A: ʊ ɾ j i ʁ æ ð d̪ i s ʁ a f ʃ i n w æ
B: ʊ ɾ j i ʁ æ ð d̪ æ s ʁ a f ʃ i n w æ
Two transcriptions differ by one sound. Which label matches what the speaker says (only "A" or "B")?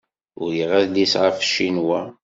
A